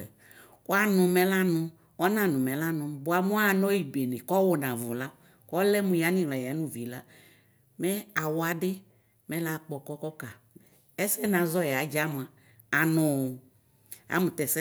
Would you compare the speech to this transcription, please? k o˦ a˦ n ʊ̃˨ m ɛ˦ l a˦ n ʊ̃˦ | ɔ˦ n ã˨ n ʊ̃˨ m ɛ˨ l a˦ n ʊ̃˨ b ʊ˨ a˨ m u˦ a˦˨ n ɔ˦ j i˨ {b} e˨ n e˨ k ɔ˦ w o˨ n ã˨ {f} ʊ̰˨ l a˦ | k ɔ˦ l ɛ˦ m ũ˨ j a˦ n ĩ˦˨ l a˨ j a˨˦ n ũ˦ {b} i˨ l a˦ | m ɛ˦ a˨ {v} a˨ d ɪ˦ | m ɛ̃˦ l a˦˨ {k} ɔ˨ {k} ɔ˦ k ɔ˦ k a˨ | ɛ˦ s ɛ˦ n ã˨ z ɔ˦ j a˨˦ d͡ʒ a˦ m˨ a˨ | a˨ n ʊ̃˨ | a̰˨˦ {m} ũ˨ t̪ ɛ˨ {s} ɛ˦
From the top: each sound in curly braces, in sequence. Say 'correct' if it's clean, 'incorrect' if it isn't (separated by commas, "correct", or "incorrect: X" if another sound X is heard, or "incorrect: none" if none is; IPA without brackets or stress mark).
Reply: correct, incorrect: v, incorrect: v, incorrect: w, incorrect: k͡p, correct, correct, correct